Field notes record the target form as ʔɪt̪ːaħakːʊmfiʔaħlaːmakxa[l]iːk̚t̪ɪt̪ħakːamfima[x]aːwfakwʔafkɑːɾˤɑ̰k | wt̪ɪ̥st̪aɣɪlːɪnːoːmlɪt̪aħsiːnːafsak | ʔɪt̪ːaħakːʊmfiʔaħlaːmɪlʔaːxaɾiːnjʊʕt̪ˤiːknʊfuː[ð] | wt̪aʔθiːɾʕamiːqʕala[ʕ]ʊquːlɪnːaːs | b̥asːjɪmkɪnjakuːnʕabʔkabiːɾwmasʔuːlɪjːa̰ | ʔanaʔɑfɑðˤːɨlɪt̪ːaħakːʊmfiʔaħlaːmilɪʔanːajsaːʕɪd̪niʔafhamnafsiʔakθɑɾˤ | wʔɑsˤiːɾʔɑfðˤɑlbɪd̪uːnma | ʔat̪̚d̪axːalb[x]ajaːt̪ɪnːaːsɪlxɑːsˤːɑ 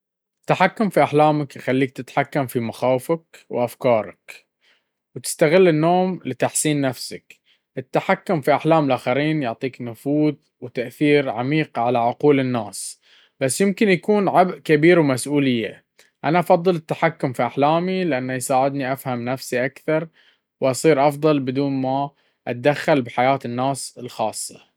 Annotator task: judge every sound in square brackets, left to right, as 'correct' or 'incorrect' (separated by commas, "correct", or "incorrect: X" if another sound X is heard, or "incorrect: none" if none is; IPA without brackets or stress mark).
incorrect: lː, correct, correct, correct, incorrect: ħ